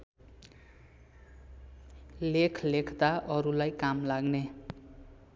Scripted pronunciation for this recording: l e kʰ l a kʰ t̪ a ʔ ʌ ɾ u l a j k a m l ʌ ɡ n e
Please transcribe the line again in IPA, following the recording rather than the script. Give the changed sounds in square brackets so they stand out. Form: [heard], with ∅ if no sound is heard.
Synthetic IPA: l e kʰ l [e] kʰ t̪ a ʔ ʌ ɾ u l a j k a m l [a] ɡ n e